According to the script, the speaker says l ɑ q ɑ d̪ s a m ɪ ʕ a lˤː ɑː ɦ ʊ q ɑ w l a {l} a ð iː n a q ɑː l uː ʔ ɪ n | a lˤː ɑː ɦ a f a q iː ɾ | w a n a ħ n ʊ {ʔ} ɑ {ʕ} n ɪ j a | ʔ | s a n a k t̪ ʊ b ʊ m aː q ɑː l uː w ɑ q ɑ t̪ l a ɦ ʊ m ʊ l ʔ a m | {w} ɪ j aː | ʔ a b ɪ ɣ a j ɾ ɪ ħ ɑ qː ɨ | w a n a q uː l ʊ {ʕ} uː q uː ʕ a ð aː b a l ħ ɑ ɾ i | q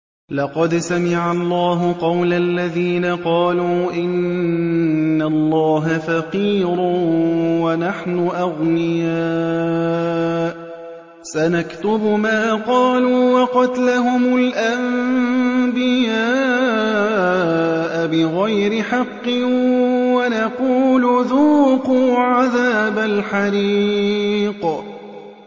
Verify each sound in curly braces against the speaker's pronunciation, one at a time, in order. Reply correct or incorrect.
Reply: incorrect, correct, incorrect, incorrect, incorrect

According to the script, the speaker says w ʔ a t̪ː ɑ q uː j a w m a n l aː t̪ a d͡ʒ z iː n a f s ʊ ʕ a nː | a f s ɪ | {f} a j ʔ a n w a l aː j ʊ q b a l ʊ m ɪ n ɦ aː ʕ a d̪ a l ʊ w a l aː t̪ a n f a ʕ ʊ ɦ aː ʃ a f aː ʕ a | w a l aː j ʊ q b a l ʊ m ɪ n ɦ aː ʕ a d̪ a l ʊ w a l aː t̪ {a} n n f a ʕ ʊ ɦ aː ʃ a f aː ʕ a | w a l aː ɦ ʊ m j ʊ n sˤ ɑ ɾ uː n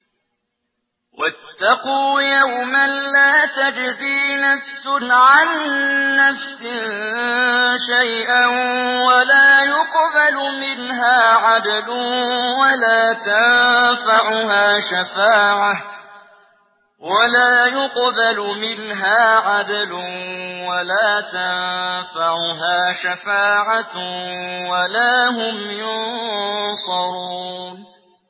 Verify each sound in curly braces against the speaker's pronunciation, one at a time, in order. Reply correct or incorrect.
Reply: incorrect, correct

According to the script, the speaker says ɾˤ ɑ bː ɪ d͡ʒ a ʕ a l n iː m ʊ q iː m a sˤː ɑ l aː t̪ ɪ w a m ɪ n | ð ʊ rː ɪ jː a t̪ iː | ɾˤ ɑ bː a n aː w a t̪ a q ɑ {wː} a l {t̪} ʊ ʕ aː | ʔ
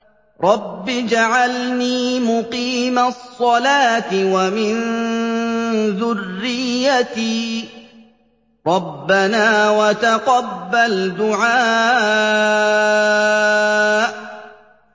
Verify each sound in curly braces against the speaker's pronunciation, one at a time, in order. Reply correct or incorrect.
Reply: incorrect, incorrect

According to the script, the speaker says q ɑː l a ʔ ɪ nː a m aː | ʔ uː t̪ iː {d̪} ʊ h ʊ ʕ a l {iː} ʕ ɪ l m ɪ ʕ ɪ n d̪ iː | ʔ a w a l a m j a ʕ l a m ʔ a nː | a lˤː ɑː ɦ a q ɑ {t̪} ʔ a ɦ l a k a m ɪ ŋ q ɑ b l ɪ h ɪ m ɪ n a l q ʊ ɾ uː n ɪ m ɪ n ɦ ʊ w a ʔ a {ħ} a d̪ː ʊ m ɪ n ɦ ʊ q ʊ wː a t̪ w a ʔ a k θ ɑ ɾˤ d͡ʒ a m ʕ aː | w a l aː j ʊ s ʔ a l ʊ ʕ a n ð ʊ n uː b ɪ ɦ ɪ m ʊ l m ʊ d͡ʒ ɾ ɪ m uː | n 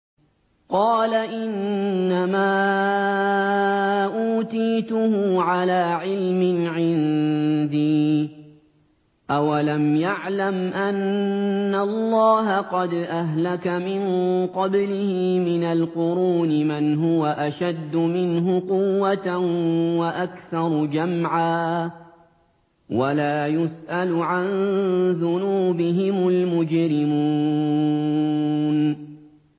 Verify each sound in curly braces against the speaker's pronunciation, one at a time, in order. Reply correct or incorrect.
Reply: incorrect, incorrect, incorrect, incorrect

